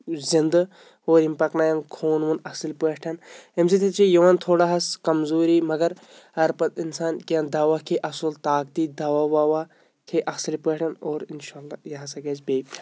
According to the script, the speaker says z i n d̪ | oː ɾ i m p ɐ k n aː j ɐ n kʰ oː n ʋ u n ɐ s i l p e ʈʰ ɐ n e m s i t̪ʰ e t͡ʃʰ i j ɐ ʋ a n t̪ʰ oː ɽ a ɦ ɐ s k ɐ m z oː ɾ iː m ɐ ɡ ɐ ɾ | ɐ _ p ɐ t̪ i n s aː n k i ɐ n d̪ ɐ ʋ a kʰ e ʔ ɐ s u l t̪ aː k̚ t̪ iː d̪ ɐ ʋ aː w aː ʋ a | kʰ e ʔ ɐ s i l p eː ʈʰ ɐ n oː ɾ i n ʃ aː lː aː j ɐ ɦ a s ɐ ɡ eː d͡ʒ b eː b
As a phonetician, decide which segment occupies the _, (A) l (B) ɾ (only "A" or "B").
B